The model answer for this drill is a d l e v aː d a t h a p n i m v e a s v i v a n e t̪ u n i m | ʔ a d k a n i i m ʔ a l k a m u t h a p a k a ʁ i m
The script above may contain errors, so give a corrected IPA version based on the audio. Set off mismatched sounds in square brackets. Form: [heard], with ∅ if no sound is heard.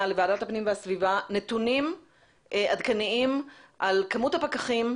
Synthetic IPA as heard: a [∅] l e v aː d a t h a p n i m v e a s v i v a n e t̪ u n i m | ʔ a d k a n i i m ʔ a l k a m u t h a p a k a [χ] i m